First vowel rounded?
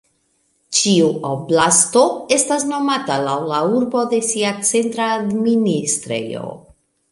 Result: no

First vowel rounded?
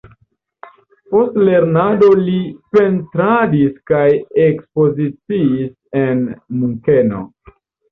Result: yes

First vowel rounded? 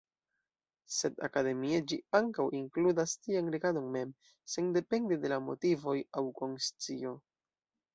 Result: no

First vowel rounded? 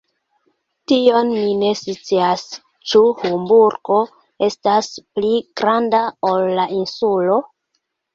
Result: no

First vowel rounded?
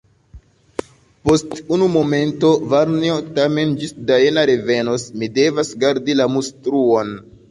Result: yes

